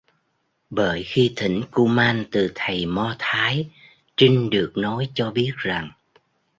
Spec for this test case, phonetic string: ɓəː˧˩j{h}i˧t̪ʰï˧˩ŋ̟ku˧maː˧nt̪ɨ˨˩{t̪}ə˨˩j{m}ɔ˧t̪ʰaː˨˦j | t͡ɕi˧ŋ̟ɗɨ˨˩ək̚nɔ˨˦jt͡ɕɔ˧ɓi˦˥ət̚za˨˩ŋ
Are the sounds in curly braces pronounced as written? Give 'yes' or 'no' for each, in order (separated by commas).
no, no, yes